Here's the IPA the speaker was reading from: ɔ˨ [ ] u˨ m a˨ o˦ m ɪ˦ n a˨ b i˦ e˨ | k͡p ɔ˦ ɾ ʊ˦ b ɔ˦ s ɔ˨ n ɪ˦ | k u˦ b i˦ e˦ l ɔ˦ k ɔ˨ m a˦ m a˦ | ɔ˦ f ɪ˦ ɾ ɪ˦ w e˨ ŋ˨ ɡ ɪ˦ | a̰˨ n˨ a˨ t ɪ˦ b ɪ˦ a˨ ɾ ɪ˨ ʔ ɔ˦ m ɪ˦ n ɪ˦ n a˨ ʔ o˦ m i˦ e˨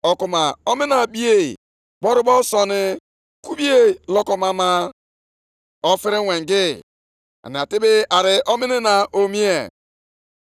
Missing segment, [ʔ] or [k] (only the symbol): k